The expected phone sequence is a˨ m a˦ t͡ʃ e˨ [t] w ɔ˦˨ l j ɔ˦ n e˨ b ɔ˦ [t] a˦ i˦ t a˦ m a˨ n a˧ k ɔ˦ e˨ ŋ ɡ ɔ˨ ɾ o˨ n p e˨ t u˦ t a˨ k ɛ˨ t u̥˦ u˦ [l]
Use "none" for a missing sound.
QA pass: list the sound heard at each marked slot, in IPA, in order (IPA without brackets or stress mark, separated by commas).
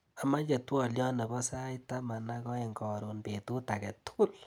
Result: t, s, l